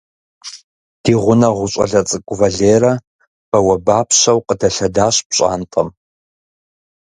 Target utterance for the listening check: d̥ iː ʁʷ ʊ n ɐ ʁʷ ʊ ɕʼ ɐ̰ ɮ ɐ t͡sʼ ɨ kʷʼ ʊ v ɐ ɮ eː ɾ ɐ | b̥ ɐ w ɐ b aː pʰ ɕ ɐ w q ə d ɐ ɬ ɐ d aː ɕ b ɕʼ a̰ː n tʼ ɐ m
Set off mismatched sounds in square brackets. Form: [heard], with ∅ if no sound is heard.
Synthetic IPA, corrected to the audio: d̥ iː ʁʷ ʊ n ɐ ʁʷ ʊ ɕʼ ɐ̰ ɮ ɐ t͡sʼ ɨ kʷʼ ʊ v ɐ ɮ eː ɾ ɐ | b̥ ɐ w ɐ b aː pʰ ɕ ɐ w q ə d ɐ ɬ ɐ d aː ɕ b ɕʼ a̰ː n tʼ ɐ m